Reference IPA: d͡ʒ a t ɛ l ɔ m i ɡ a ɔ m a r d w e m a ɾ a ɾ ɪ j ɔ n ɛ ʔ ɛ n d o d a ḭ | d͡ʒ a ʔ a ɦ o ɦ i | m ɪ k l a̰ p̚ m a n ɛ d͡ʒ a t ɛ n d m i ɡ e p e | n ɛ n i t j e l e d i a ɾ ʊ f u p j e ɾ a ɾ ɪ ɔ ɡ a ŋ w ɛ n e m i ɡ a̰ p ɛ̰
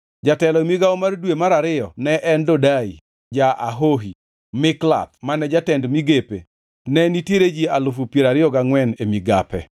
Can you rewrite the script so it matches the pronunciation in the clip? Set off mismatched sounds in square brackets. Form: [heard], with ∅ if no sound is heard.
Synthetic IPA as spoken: d͡ʒ a t ɛ l ɔ m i ɡ a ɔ m a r d w e m a ɾ a ɾ ɪ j ɔ n ɛ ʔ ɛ n d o d a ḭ | d͡ʒ a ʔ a ɦ o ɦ i | m ɪ k l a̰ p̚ m a n ɛ d͡ʒ a t ɛ n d m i ɡ e p e | n ɛ n i t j e [ɾ] e [d͡ʒ] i a [l] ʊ f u p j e ɾ a ɾ ɪ ɔ ɡ a ŋ w ɛ n e m i ɡ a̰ p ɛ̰